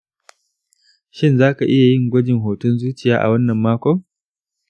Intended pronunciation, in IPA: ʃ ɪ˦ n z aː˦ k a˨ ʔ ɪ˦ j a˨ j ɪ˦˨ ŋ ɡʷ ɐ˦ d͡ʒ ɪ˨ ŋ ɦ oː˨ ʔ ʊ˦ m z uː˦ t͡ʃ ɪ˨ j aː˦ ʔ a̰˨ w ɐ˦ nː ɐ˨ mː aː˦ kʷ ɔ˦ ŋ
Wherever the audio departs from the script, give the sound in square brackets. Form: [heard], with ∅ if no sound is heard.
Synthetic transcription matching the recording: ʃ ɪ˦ n z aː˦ k a˨ ʔ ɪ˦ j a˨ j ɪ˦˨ ŋ ɡʷ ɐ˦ d͡ʒ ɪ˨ ŋ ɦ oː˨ [t] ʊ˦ [n] z uː˦ t͡ʃ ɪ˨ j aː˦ ʔ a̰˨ w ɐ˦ nː ɐ˨ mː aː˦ kʷ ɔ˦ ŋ